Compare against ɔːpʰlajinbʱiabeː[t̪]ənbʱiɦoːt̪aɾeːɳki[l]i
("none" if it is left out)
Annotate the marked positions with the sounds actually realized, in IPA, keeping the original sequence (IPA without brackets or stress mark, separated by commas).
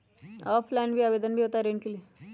d̪, l